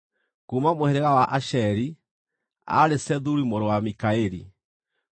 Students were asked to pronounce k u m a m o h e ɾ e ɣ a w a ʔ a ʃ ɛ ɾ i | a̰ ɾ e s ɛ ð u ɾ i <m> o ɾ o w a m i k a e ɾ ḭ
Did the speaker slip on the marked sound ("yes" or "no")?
no